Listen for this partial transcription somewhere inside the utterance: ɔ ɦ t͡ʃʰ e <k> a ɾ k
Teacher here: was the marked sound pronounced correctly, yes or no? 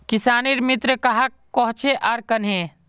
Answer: no